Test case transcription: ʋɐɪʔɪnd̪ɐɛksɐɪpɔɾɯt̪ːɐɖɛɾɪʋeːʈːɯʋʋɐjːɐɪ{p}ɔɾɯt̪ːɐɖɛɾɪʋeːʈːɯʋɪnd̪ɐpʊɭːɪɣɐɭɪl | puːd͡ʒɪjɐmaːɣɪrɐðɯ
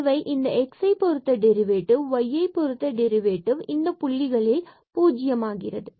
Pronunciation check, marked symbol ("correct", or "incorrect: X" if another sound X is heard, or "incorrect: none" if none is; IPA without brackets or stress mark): correct